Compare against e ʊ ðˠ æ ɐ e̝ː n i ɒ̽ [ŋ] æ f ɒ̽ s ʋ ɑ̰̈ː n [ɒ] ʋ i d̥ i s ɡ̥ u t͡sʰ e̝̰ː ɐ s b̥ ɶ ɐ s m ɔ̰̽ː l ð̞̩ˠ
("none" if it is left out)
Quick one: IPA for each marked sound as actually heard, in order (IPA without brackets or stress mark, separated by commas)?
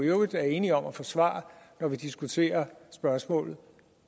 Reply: m, ɒ